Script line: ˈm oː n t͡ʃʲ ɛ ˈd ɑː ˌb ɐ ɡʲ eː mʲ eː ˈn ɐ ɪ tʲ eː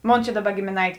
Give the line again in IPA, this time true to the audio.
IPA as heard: ˈm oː n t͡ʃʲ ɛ ˈd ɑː ˌb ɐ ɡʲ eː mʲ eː ˈn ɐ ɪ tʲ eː